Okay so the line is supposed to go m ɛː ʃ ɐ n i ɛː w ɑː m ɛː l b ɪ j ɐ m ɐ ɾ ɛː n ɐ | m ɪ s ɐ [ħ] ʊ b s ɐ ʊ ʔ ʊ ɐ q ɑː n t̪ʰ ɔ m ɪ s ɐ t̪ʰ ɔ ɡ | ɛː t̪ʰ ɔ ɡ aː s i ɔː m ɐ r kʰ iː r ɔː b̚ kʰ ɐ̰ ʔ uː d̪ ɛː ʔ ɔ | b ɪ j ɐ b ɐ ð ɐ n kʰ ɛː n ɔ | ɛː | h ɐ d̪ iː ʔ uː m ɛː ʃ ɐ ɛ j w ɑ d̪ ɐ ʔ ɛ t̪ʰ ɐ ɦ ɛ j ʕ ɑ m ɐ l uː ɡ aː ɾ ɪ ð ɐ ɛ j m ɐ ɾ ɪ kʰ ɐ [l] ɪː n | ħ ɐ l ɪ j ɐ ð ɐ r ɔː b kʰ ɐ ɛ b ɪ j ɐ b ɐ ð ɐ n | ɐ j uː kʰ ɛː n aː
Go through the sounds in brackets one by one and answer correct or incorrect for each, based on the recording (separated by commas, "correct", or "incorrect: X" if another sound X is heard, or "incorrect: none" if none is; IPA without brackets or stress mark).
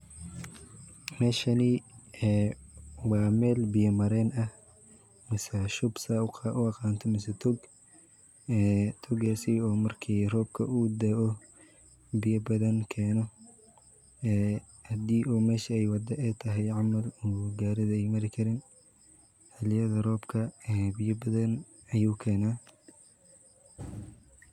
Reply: incorrect: ʃ, incorrect: ɾ